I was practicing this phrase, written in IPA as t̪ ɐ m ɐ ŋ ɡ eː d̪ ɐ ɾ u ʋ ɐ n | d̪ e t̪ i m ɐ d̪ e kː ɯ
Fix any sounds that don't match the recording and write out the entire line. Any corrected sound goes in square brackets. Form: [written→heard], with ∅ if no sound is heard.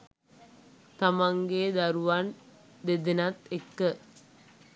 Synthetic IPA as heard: t̪ ɐ m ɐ ŋ ɡ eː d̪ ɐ ɾ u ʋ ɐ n | d̪ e [t̪→d̪] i [m→n] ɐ [d̪→t̪] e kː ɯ